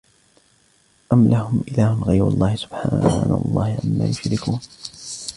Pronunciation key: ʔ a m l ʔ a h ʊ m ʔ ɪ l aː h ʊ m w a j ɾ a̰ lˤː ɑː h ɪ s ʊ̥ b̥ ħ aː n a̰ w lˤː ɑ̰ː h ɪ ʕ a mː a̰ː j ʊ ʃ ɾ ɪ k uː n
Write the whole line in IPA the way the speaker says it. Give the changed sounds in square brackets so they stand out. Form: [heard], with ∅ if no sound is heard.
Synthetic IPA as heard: ʔ a m l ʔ a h ʊ m ʔ ɪ l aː h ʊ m [ɣ] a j ɾ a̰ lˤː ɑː h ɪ s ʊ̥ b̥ ħ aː n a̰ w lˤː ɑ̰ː h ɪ ʕ a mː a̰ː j ʊ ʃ ɾ ɪ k uː n